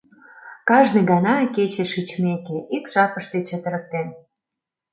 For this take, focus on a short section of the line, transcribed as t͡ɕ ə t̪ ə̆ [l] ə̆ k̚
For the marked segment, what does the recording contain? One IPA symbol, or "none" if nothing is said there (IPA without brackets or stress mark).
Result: ɾ